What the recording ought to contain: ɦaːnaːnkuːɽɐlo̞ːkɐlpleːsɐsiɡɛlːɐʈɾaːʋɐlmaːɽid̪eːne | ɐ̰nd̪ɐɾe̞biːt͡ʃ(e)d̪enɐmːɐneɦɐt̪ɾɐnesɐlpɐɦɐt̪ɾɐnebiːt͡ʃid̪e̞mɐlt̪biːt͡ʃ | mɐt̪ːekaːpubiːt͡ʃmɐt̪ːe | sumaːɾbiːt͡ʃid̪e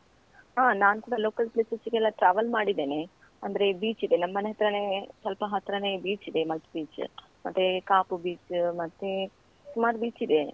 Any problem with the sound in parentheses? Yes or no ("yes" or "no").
yes